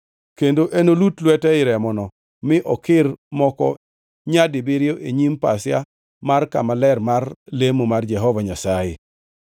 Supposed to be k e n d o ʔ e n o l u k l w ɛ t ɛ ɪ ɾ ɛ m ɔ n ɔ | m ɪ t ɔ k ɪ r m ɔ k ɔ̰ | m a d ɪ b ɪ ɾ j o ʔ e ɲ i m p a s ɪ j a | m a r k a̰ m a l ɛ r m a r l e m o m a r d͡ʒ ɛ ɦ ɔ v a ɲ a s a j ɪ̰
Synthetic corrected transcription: k e n d o ʔ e n o l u t l w ɛ t ɛ ɪ ɾ ɛ m ɔ n ɔ | m ɪ ʔ ɔ k ɪ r m ɔ k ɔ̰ | ɲ a d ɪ b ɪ ɾ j o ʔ e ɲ i m p a s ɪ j a | m a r k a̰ m a l ɛ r m a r l e m o m a r d͡ʒ ɛ ɦ ɔ v a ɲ a s a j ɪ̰